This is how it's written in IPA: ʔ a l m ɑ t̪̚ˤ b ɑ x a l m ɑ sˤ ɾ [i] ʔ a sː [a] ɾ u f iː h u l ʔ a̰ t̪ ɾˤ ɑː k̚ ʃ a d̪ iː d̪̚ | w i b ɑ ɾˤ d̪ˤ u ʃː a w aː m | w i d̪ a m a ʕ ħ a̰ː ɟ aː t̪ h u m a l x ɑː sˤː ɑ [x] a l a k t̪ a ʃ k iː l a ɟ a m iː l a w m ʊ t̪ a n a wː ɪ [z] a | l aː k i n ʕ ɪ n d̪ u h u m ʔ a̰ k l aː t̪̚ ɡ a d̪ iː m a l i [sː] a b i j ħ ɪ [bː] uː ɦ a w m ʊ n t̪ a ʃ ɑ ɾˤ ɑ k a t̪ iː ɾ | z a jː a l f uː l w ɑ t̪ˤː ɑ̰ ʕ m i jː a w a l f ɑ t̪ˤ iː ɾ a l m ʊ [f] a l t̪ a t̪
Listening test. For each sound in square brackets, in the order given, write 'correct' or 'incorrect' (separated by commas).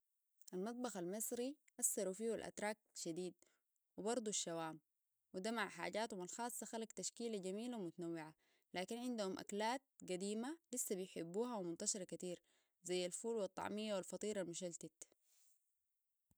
correct, incorrect, correct, incorrect, correct, correct, incorrect